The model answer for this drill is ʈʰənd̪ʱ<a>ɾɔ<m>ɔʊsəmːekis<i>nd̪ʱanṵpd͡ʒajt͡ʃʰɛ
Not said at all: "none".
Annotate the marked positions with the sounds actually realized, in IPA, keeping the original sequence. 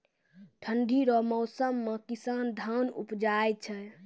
i, m, a

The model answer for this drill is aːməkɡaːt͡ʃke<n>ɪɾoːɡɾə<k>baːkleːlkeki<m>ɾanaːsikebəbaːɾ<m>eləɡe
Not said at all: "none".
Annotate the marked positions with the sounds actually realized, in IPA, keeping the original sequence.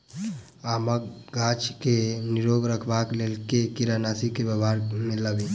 n, kʰ, none, m

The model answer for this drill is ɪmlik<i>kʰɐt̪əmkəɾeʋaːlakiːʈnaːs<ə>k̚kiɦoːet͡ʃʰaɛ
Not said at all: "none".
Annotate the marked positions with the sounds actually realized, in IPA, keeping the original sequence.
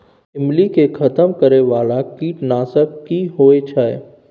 e, ə

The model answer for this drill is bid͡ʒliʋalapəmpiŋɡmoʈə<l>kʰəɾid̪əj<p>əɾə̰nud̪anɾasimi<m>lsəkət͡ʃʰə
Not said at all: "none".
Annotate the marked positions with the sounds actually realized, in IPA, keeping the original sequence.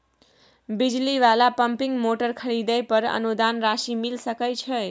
ɾ, p, none

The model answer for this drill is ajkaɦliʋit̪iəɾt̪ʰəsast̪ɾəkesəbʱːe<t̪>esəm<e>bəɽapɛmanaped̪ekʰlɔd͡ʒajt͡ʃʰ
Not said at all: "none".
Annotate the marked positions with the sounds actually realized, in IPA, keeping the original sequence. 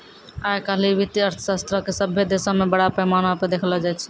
d̪, e

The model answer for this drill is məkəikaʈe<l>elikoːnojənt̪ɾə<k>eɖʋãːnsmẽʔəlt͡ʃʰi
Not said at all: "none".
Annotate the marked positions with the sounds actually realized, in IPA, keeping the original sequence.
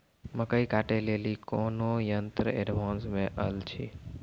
l, none

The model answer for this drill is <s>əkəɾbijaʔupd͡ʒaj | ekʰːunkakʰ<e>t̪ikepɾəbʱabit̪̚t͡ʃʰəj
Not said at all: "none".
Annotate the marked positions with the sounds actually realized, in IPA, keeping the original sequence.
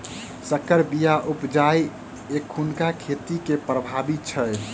s, e

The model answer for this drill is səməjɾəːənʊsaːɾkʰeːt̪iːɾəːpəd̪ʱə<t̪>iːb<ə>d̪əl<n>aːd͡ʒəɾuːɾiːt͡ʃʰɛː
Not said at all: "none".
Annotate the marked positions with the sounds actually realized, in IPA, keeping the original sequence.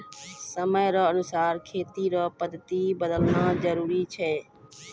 t̪, ə, n

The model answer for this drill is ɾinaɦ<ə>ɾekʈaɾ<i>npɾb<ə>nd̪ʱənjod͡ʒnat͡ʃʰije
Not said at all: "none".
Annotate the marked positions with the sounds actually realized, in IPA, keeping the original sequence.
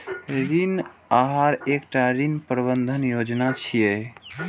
a, i, ə

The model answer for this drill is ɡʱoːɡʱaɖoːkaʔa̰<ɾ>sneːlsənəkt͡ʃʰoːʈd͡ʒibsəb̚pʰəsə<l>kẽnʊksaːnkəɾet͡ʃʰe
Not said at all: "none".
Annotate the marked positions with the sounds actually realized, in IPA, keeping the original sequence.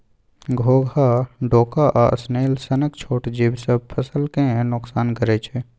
none, l

